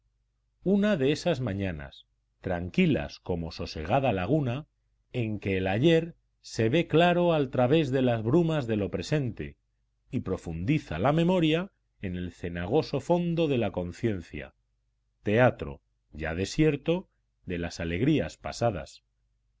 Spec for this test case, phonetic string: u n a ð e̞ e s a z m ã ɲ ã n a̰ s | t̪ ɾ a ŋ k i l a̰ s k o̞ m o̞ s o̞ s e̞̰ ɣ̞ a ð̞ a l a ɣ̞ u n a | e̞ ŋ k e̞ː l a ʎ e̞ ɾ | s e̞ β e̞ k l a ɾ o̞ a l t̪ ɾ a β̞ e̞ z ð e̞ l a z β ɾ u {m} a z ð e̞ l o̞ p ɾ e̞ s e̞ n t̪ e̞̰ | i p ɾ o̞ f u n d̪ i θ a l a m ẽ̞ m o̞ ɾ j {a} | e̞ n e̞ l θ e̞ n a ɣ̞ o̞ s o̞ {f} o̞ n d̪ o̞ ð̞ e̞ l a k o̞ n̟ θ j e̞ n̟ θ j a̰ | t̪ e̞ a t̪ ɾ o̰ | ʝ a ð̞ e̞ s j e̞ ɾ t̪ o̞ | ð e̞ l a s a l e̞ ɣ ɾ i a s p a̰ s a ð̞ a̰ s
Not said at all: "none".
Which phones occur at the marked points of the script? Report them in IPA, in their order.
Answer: m, a, f

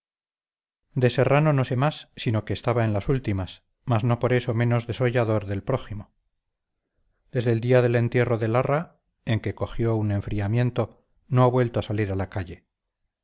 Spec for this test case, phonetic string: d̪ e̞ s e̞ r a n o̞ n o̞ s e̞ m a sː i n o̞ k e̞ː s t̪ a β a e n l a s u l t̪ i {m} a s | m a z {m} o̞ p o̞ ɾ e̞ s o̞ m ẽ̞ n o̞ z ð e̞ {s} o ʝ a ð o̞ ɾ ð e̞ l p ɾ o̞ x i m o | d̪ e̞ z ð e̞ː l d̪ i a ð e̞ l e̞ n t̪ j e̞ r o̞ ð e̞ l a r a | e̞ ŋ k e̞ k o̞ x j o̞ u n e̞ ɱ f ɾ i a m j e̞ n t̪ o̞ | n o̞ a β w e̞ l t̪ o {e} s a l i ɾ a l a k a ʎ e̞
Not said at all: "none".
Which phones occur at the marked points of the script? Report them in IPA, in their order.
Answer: m, n, s, a

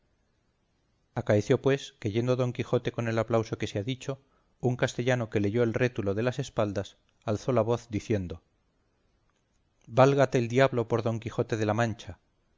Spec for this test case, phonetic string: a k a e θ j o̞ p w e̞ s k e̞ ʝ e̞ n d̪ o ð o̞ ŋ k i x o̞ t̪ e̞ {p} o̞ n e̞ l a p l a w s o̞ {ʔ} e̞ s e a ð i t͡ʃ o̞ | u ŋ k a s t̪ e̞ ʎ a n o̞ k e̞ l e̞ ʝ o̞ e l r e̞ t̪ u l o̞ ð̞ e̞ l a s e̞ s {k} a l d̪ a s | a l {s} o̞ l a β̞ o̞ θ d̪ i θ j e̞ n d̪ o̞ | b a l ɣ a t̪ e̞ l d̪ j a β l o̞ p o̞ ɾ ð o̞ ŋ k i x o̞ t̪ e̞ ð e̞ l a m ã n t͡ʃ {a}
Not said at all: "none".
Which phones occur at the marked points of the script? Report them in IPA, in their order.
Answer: k, k, p, θ, a

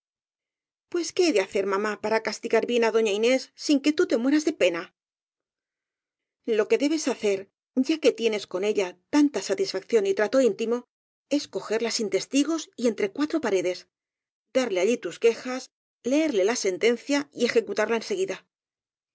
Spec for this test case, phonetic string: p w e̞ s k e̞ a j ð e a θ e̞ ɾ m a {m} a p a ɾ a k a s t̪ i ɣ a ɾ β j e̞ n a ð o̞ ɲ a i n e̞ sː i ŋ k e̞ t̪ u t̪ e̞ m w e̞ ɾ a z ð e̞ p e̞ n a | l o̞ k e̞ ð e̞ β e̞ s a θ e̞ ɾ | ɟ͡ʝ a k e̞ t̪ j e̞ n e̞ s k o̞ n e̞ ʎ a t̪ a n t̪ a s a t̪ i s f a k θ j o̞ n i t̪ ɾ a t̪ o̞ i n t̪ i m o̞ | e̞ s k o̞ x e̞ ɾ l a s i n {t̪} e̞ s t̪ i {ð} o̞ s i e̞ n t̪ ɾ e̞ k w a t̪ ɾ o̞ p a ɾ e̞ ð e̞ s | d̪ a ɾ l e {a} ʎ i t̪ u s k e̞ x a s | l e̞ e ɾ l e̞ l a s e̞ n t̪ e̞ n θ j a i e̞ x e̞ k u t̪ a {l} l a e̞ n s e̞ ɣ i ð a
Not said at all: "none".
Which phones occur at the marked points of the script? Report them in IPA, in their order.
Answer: m, t̪, ɣ, a, ɾ

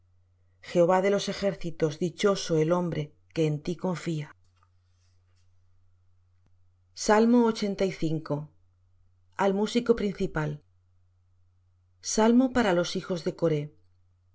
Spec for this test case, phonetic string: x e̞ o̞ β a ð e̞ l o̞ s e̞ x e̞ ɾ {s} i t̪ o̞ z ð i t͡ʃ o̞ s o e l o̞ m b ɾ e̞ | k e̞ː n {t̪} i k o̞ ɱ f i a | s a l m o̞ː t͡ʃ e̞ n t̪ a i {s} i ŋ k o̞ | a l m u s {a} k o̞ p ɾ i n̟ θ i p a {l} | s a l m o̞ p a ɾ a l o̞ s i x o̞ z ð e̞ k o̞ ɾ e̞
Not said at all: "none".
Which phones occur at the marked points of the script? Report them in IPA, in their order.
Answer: θ, t̪, θ, i, l

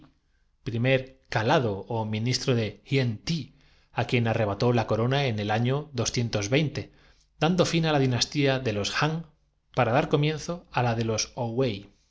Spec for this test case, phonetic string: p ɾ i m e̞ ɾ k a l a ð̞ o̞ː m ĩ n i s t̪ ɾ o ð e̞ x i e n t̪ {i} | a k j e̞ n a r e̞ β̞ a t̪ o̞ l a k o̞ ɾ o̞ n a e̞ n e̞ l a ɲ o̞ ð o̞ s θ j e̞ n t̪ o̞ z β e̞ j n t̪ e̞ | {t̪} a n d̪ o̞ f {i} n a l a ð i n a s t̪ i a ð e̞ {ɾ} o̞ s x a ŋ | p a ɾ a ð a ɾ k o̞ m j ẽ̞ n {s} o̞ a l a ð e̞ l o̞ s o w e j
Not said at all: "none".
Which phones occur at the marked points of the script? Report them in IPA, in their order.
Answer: i, d̪, i, l, θ

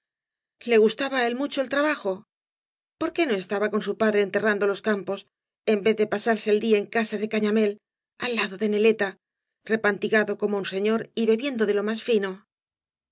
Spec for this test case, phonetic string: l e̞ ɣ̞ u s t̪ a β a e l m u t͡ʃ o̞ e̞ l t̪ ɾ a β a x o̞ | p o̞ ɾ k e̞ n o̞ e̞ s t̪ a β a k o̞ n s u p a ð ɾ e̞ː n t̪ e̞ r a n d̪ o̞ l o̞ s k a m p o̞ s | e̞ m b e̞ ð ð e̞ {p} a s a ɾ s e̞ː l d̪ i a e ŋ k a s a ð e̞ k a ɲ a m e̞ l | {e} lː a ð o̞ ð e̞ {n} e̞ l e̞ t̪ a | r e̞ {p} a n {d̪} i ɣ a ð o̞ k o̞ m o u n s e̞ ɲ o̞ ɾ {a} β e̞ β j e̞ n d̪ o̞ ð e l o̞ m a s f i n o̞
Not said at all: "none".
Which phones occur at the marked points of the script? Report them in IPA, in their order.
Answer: p, a, n, p, t̪, i

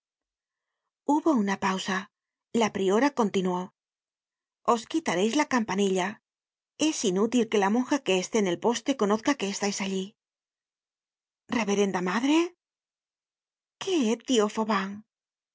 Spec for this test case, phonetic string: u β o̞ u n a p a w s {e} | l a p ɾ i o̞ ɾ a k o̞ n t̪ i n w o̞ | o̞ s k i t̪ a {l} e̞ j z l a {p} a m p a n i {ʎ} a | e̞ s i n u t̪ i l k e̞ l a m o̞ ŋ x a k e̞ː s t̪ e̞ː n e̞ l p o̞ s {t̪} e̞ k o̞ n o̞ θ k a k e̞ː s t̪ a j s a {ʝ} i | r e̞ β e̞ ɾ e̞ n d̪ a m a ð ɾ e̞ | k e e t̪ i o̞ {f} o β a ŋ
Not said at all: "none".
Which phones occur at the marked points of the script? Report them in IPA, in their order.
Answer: a, ɾ, k, ʎ, t̪, ʎ, f

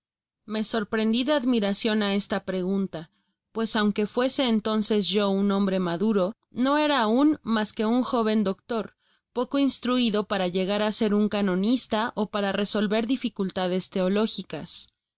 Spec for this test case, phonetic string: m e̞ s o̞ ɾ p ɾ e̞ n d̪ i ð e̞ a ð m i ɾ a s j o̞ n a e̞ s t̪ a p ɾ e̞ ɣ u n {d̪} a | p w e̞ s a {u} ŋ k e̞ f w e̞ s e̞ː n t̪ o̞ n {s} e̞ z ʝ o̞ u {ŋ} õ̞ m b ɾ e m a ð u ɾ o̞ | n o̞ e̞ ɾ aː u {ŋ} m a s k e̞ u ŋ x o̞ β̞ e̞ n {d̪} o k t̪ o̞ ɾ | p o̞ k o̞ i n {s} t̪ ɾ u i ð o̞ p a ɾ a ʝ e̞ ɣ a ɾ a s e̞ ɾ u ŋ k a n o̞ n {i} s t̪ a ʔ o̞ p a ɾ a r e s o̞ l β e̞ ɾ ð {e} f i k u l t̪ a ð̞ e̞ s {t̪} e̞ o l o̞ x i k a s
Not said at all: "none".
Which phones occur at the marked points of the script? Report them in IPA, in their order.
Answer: t̪, w, s, n, n, d̪, s, i, i, t̪

